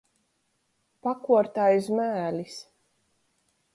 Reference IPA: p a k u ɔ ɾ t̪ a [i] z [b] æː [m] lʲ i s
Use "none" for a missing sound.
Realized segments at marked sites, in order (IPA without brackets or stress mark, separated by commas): j, m, none